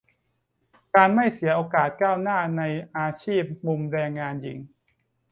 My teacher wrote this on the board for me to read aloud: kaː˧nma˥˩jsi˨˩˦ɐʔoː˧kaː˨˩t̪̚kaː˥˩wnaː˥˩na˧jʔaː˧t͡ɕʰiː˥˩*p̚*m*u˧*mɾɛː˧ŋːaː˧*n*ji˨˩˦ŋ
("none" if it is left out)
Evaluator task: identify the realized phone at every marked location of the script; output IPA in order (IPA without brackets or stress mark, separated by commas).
p̚, u˧, n